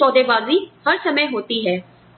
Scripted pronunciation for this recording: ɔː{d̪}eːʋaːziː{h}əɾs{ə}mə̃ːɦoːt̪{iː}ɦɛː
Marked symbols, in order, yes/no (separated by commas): yes, yes, yes, yes